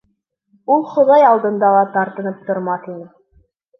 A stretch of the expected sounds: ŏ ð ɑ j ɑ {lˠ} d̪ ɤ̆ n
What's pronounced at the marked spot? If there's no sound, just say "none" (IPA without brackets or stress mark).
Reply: lˠ